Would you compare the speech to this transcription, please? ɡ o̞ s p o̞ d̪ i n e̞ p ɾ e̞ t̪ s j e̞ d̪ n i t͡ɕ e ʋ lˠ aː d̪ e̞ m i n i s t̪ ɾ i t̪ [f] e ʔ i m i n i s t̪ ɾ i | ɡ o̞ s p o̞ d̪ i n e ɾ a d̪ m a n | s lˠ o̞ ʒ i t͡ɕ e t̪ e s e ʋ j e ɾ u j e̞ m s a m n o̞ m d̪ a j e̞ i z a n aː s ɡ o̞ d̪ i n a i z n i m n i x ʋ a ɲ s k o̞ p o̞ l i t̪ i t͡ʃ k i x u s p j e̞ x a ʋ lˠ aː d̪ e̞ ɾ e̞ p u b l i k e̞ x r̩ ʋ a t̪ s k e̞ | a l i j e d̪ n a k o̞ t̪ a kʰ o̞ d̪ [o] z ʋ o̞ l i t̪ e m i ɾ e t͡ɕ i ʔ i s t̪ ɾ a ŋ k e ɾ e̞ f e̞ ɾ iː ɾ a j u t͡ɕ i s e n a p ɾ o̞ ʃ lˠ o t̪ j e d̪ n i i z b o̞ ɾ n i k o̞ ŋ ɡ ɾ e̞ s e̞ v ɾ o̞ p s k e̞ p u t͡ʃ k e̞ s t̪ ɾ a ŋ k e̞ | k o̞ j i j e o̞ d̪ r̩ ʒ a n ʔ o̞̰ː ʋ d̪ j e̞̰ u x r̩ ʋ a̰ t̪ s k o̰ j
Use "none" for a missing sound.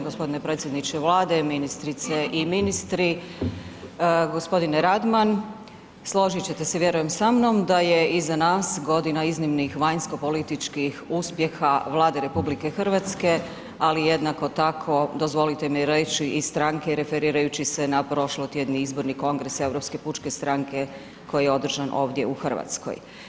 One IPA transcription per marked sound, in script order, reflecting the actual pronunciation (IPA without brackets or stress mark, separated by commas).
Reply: s, o